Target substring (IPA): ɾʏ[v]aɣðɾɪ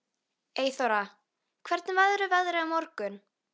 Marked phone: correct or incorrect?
correct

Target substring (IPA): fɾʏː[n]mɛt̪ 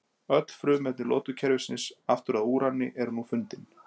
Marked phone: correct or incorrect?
incorrect: none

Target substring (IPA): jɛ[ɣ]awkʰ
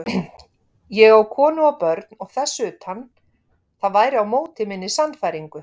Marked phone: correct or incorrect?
correct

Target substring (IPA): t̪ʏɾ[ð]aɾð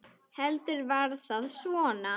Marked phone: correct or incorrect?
incorrect: v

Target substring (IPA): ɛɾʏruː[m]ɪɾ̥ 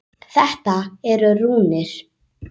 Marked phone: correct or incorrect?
incorrect: n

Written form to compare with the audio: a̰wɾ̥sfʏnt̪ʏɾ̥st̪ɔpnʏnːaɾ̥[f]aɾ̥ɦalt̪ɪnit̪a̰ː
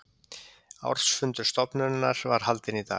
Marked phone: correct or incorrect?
incorrect: v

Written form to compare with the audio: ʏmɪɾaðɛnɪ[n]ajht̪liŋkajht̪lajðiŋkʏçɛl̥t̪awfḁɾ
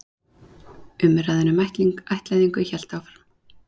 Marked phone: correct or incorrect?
incorrect: m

